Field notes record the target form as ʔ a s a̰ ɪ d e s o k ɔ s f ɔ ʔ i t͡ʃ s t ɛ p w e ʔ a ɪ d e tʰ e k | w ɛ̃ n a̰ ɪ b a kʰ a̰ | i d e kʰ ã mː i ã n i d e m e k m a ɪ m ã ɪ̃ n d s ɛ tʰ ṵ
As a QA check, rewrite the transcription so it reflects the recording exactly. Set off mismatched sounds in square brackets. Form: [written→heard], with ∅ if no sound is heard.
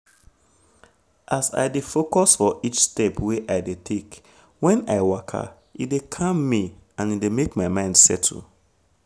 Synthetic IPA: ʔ a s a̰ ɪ d e [s→f] o k ɔ s f ɔ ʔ i t͡ʃ s t ɛ p w e ʔ a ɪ d e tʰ e k | w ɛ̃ n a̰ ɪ [b→w] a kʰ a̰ | i d e kʰ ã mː i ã n i d e m e k m a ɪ m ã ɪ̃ n d s ɛ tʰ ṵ